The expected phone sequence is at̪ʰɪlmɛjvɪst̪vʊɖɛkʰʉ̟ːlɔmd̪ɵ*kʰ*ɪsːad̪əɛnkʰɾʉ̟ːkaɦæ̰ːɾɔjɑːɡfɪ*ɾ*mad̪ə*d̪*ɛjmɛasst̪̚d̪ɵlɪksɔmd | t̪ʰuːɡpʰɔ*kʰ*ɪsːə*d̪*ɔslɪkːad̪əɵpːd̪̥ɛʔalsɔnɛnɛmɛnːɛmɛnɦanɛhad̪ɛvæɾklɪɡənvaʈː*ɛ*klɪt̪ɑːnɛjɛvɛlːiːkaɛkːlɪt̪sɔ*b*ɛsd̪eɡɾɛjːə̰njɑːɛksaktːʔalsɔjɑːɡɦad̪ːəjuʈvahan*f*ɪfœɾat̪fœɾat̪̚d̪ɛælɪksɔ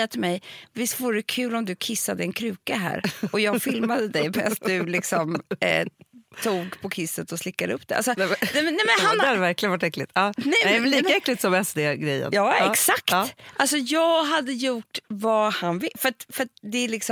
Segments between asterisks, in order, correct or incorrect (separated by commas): correct, incorrect, correct, correct, incorrect, correct, incorrect, incorrect